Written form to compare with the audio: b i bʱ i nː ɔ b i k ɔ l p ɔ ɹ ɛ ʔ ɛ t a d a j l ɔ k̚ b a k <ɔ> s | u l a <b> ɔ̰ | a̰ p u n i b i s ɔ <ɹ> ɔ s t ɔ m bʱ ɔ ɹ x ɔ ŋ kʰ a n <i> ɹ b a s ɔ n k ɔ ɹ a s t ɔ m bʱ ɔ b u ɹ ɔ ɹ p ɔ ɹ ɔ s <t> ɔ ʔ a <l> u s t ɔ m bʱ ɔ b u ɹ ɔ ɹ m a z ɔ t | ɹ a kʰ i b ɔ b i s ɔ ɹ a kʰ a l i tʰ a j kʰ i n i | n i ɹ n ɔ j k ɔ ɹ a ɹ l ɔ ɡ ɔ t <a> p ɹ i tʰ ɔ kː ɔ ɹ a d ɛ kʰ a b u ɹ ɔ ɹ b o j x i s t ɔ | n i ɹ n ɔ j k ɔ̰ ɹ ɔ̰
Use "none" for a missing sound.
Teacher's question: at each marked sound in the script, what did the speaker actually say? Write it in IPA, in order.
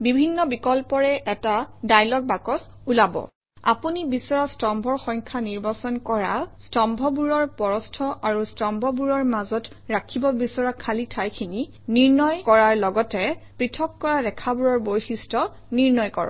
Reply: ɔ, b, ɹ, i, tʰ, ɹ, ɛ

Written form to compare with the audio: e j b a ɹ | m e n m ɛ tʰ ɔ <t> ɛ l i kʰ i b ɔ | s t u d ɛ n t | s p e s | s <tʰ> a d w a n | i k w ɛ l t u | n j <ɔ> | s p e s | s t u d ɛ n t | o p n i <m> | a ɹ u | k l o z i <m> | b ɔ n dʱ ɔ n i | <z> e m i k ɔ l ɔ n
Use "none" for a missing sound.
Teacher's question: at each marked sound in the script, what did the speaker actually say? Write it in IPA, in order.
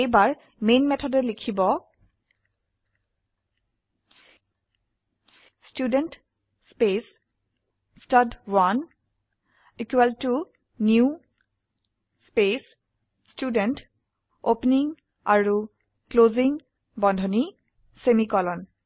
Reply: d, t, u, ŋ, ŋ, s

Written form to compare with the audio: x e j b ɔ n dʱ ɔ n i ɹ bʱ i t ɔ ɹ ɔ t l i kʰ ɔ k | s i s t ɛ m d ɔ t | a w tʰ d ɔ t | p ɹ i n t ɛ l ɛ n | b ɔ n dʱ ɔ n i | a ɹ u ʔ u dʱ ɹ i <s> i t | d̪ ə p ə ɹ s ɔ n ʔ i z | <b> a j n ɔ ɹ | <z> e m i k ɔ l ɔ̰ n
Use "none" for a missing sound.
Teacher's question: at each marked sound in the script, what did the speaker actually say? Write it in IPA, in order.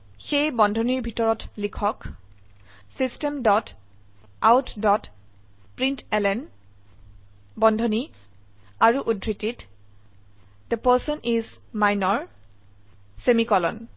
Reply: t, m, s

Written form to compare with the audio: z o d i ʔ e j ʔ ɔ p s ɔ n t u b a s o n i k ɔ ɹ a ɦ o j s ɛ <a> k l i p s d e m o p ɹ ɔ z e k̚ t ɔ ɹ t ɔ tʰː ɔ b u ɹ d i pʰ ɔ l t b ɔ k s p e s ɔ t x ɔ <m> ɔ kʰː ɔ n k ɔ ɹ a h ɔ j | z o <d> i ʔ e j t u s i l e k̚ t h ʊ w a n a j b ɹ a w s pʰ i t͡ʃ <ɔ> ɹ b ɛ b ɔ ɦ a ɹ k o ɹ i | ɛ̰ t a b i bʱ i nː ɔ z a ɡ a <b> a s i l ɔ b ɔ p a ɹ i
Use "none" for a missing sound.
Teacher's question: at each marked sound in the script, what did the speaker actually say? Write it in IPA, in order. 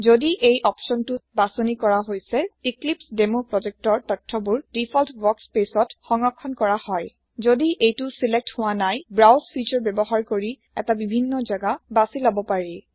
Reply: i, ŋ, d, ɔ, b

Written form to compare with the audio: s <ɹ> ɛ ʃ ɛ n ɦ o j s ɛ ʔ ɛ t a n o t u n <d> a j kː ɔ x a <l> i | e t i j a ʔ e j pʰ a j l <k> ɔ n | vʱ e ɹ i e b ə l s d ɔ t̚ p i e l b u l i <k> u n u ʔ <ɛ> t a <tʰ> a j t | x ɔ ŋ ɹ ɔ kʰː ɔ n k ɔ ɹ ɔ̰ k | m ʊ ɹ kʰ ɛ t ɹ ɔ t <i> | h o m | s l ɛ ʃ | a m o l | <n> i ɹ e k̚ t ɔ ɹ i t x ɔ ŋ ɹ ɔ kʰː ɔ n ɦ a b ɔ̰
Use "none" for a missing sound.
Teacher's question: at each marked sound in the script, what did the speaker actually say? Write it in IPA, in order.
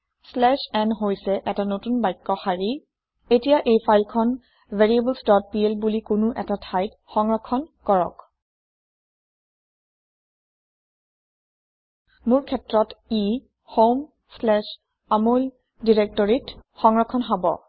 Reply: l, b, ɹ, kʰ, k, ɛ, tʰ, i, d

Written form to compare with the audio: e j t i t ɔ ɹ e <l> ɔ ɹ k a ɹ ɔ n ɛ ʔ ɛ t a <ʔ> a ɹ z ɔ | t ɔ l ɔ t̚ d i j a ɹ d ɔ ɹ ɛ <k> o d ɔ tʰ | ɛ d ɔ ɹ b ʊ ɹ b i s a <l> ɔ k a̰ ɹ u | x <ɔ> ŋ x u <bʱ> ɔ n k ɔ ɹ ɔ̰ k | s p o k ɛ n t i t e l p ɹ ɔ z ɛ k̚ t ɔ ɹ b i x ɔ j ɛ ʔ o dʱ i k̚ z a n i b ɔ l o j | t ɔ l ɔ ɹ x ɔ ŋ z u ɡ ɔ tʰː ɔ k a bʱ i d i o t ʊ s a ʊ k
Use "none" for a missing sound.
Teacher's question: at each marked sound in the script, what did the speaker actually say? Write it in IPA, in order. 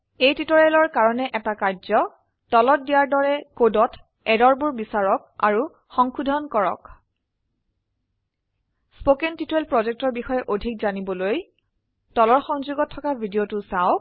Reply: l, k, k, ɹ, ɔ, dʱ

